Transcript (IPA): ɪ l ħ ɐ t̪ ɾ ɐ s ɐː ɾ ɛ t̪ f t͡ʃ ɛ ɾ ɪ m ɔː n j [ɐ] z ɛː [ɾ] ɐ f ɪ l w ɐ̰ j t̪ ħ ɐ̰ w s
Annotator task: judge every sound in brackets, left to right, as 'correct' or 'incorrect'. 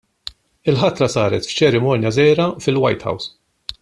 correct, correct

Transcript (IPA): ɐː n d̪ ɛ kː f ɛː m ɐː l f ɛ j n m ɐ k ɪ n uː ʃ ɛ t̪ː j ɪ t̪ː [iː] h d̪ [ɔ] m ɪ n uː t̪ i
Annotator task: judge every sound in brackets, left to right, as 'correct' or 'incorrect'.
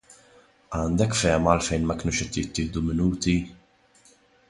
incorrect: ɪː, incorrect: u

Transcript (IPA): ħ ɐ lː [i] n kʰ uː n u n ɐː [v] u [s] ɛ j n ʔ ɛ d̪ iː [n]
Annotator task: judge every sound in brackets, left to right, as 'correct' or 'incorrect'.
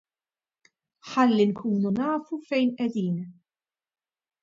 correct, incorrect: f, incorrect: f, correct

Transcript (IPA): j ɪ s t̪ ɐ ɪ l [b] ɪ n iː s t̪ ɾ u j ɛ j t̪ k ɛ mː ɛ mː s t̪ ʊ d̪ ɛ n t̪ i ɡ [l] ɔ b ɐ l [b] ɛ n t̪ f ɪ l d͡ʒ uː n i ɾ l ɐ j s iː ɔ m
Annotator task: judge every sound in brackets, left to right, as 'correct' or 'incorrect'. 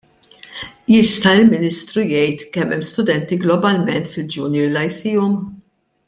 incorrect: m, correct, incorrect: m

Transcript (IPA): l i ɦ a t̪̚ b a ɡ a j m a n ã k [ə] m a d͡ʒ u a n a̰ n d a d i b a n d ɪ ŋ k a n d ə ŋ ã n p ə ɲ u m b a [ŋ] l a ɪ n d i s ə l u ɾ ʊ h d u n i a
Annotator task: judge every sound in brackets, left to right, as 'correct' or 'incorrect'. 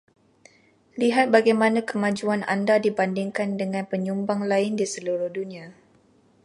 correct, correct

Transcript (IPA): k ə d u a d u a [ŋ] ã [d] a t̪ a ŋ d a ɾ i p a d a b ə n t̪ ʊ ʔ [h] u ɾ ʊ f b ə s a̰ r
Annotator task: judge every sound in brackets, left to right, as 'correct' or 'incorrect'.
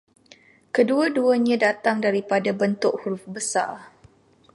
incorrect: ɲ, correct, correct

